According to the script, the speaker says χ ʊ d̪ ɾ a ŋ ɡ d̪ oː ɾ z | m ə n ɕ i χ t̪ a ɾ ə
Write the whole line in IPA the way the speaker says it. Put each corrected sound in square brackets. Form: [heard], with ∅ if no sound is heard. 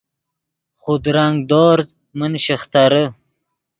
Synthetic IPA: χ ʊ d̪ ɾ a ŋ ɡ d̪ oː ɾ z | m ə n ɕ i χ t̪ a ɾ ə